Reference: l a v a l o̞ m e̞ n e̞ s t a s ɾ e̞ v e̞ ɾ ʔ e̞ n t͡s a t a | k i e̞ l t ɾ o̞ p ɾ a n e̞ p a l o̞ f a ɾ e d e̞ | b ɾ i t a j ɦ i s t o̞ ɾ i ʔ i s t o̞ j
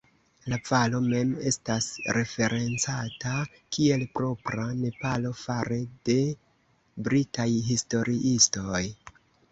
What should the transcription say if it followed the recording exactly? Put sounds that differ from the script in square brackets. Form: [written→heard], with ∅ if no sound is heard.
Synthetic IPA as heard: l a v a l o̞ m e̞ [n→m] e̞ s t a s ɾ e̞ [v→f] e̞ ɾ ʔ e̞ n t͡s a t a | k i e̞ l [t→p] ɾ o̞ p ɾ a n e̞ p a l o̞ f a ɾ e d e̞ | b ɾ i t a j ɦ i s t o̞ ɾ i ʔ i s t o̞ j

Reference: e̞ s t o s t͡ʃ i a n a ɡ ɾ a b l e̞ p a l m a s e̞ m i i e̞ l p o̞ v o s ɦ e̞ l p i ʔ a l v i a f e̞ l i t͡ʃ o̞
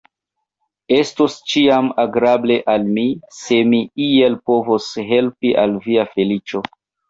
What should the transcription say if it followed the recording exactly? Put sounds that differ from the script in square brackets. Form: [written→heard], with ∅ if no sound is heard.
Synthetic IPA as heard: e̞ s t o s t͡ʃ i a [n→m] a ɡ ɾ a b l e̞ [p→ʔ] a l m [a→i] s e̞ m i i e̞ l p o̞ v o s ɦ e̞ l p i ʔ a l v i a f e̞ l i t͡ʃ o̞

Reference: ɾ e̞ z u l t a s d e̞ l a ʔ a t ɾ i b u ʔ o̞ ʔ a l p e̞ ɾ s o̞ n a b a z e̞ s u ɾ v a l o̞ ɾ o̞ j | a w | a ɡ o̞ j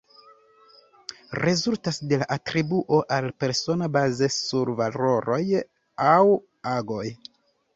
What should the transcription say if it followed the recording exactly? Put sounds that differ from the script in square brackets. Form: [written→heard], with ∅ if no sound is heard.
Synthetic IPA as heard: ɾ e̞ z u l t a s d e̞ l a ʔ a t ɾ i b u ʔ o̞ ʔ a l p e̞ ɾ s o̞ n a b a z e̞ s u ɾ v a l o̞ ɾ o̞ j | a w | a ɡ o̞ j

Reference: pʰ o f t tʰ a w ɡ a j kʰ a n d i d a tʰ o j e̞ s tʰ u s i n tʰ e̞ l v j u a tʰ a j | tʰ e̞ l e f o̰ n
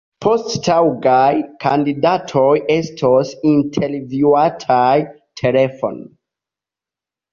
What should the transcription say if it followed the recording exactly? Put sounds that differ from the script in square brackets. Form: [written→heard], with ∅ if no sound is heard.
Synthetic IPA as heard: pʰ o [f→s] t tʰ a w ɡ a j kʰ a n d i d a tʰ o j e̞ s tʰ [u→o] s i n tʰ e̞ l v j u a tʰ a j | tʰ e̞ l e f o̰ n

